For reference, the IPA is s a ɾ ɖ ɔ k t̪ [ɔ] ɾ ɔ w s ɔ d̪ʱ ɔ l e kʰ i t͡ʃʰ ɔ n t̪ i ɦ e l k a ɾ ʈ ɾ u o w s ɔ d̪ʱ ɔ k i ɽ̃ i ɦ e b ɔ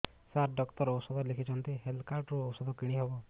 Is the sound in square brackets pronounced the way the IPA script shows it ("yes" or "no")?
yes